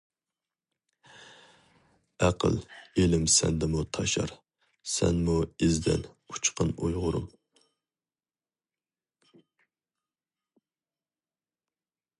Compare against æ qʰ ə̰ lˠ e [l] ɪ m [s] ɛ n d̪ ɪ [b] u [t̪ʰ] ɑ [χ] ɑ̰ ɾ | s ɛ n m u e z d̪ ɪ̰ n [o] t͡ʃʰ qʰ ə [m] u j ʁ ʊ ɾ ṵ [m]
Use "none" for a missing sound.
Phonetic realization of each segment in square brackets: l, s, m, t̪ʰ, ʃ, u, n, m

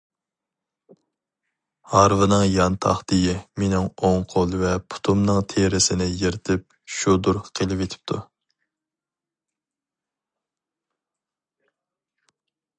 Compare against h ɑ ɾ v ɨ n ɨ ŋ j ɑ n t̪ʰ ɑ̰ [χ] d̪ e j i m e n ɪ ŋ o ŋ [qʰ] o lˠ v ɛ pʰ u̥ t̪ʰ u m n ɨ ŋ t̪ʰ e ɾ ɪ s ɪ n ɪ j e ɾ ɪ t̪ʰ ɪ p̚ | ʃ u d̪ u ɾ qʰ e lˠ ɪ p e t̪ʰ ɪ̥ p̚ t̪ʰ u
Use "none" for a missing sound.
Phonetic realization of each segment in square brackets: χ, qʰ

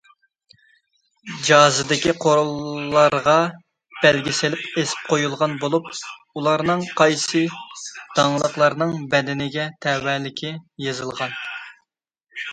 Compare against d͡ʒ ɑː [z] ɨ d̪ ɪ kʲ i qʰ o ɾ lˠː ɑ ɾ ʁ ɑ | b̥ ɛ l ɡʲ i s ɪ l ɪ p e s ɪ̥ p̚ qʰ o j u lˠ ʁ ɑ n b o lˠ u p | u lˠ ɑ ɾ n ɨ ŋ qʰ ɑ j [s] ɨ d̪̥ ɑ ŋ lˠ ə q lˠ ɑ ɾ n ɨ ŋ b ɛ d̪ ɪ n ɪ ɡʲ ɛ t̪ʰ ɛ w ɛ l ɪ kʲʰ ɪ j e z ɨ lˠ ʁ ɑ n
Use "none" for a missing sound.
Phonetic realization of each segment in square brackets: z, s

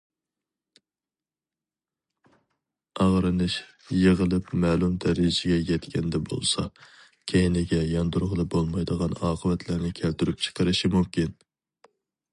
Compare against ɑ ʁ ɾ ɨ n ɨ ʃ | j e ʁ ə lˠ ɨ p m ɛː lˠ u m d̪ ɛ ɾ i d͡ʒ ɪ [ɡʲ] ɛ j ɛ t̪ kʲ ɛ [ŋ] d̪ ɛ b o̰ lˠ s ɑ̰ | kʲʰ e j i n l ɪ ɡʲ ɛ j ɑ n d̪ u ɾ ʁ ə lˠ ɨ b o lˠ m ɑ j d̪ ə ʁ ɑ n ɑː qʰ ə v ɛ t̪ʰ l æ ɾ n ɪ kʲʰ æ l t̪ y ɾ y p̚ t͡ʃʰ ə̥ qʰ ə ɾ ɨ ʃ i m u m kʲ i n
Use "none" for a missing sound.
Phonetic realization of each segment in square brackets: ɡʲ, n

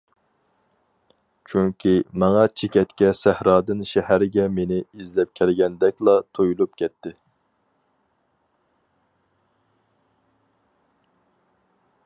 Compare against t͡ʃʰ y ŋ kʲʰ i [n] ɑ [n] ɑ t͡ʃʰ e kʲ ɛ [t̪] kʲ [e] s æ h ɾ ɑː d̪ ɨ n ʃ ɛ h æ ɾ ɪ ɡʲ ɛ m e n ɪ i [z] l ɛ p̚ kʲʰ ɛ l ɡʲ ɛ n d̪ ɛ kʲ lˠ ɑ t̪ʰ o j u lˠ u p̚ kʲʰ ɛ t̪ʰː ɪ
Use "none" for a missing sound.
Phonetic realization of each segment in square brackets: m, ŋ, t̪, ɛ, z

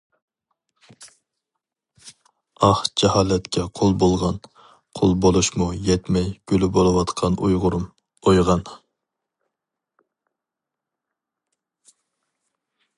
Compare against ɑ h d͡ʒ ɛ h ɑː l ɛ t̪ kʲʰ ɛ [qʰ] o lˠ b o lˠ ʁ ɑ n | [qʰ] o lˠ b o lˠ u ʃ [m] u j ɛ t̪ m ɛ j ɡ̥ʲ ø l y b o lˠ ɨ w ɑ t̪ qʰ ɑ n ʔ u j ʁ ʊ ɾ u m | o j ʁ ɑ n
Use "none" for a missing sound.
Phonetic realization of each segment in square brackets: qʰ, qʰ, m

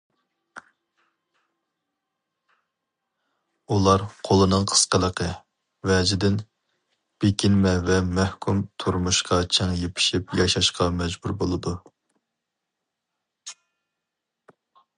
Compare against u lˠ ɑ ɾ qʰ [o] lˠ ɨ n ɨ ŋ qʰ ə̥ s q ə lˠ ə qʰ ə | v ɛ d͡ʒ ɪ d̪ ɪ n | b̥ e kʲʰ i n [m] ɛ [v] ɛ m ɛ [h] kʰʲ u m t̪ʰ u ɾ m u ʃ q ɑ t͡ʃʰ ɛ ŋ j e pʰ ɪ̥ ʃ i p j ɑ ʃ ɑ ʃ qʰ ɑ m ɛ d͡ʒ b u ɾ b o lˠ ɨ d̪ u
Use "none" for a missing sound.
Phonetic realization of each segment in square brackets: o, m, v, h

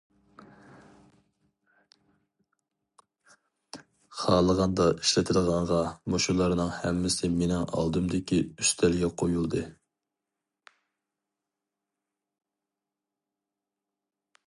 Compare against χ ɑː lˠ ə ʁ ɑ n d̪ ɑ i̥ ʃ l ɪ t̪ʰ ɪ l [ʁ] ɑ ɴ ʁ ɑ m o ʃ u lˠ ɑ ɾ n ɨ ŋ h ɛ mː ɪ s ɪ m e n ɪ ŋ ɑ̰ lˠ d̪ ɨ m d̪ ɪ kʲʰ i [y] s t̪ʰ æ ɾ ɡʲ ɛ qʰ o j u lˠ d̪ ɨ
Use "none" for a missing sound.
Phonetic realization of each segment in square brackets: ʁ, y

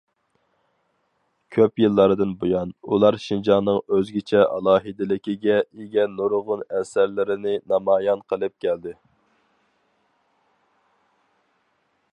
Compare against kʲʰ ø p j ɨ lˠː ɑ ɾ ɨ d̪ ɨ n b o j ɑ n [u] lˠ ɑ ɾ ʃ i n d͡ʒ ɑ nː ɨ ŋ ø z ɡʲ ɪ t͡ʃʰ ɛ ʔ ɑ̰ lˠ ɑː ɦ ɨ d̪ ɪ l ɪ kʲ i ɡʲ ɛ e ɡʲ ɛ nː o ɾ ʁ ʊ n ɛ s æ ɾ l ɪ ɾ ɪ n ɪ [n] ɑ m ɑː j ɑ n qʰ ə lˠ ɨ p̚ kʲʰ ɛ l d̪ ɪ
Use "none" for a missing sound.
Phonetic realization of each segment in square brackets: u, n

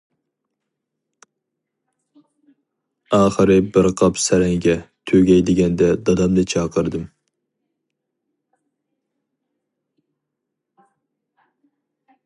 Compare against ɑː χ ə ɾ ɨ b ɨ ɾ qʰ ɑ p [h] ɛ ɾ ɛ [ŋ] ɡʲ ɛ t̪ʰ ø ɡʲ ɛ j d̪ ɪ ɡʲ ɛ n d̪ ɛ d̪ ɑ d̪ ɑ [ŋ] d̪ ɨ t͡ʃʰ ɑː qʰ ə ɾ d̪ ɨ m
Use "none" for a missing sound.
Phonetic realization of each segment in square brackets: s, ŋ, m

